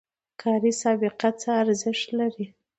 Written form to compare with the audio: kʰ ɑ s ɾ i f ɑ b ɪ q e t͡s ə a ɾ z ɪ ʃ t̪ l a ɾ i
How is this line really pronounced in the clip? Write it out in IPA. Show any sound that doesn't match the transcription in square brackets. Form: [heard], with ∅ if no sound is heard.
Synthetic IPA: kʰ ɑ [∅] ɾ i [s] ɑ b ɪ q [a] t͡s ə a ɾ z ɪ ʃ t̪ l a ɾ i